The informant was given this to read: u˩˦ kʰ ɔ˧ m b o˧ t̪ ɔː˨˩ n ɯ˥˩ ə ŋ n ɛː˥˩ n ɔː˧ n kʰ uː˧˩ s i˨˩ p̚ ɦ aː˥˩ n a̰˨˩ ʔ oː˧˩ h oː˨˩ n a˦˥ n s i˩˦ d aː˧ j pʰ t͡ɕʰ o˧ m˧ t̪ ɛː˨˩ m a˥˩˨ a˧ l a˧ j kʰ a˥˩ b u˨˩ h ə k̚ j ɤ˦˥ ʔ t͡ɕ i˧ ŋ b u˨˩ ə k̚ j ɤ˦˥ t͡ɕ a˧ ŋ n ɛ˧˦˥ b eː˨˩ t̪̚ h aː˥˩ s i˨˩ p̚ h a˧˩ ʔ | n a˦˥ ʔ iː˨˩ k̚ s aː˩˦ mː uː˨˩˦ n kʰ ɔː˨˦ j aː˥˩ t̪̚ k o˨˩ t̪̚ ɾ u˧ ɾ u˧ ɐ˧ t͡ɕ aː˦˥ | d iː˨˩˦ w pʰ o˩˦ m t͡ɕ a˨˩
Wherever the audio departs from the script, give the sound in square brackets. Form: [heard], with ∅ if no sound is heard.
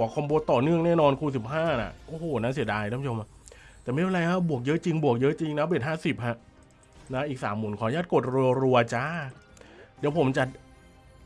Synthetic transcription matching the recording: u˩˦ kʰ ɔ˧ m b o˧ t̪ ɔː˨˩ n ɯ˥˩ ə ŋ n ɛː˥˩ n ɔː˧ n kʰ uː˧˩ s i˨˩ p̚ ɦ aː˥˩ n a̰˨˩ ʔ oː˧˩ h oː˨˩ n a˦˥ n s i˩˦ d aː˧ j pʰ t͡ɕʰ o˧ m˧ t̪ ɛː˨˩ m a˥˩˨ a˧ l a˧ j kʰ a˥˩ b u˨˩ [∅] ə k̚ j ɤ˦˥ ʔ t͡ɕ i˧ ŋ b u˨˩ ə k̚ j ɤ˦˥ t͡ɕ [i˧] ŋ n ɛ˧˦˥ b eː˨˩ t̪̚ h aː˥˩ s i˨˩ p̚ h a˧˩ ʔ | n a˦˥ ʔ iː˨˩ k̚ s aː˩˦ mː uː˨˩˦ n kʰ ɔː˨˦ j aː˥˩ t̪̚ k o˨˩ t̪̚ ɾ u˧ ɾ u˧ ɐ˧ t͡ɕ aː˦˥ | d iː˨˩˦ w pʰ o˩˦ m t͡ɕ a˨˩